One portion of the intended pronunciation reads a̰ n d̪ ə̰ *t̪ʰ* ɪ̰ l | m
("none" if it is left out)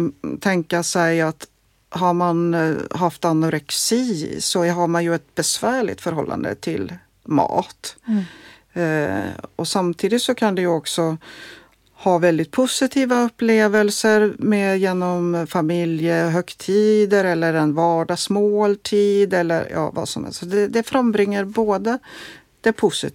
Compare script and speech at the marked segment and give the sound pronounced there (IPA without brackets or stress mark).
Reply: t̪ʰ